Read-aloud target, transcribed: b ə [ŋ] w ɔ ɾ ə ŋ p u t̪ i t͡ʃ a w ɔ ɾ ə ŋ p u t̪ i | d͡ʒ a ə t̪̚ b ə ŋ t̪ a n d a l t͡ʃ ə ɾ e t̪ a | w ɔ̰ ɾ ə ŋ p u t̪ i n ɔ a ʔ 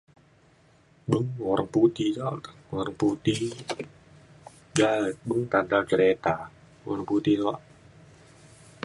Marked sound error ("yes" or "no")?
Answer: no